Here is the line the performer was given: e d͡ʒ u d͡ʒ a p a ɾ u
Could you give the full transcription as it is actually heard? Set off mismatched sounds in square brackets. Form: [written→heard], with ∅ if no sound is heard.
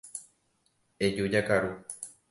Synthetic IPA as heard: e d͡ʒ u d͡ʒ a [p→k] a ɾ u